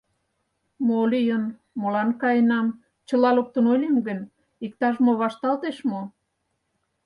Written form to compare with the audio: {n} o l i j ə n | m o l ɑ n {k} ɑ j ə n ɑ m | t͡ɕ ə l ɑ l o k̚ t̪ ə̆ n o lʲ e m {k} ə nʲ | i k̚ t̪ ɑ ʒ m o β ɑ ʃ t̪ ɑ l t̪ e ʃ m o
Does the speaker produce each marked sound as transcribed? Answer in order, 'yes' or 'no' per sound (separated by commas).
no, yes, no